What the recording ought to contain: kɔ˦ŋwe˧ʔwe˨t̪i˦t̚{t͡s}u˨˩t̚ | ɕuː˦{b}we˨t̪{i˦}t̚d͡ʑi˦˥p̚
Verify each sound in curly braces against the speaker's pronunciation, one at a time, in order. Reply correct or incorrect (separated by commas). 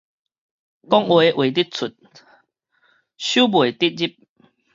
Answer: incorrect, correct, correct